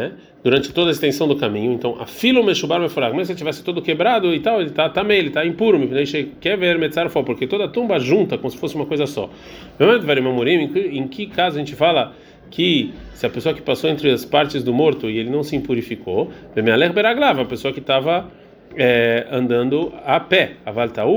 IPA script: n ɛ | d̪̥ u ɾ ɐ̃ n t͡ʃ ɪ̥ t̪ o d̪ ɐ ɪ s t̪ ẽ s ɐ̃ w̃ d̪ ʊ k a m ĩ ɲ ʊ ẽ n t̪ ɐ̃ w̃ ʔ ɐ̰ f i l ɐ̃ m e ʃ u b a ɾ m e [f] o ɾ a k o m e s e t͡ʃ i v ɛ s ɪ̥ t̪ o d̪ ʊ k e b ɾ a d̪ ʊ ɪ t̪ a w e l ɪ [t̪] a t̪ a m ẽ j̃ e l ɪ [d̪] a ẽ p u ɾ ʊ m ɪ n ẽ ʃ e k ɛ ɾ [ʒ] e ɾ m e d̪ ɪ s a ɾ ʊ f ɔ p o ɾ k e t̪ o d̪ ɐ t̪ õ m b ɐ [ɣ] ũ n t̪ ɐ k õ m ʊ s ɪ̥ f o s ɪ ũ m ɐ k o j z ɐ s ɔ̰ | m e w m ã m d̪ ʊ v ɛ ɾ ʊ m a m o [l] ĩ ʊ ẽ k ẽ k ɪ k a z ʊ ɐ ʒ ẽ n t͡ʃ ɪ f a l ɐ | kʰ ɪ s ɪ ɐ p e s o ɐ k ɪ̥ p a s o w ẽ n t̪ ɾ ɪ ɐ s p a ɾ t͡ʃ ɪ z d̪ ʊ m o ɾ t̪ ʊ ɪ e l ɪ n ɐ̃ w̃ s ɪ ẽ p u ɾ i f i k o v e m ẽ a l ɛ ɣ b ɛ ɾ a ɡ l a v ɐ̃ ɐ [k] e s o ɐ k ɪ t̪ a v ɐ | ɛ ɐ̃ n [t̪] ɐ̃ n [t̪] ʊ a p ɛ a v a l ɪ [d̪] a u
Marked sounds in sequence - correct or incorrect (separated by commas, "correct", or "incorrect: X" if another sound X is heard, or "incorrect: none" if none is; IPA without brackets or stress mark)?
correct, correct, incorrect: t̪, incorrect: v, incorrect: ʒ, incorrect: ɾ, incorrect: p, incorrect: d̪, incorrect: d̪, incorrect: t̪